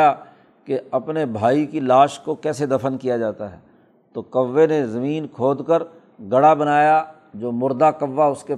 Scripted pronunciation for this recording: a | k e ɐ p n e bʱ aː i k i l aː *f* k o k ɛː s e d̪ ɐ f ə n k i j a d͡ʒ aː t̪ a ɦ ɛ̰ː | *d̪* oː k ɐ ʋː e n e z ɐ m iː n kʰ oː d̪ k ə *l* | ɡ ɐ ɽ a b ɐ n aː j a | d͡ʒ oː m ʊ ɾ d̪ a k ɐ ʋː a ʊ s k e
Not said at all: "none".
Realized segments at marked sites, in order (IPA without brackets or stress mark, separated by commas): ʃ, t̪, ɾ